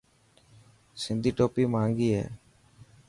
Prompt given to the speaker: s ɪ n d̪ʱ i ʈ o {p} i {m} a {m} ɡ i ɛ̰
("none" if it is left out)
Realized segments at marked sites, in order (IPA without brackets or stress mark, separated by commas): p, m, ŋ